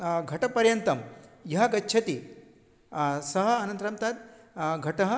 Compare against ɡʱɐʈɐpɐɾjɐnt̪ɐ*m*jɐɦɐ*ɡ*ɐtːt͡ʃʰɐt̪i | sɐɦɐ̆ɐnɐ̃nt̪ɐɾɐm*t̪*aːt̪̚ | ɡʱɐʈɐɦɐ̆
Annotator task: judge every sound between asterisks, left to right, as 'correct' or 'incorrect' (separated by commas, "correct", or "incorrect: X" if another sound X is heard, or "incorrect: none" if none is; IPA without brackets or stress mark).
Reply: correct, correct, correct